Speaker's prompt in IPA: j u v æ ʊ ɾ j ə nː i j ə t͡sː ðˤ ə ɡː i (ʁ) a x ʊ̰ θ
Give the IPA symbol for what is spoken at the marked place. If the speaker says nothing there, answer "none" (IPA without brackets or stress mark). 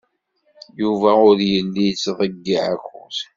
ʕ